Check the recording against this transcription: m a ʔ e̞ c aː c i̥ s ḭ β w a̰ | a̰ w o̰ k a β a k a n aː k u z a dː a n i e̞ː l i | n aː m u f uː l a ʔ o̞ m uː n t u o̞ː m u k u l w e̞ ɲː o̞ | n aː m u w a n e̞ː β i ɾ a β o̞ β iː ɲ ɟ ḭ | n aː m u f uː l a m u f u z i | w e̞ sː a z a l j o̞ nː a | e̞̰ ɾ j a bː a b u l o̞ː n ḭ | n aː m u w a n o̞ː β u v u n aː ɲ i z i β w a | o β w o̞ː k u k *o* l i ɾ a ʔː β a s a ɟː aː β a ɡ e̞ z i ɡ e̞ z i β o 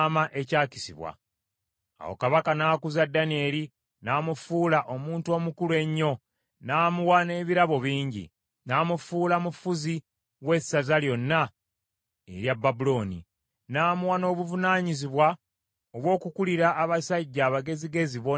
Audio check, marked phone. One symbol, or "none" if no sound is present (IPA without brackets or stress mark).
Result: u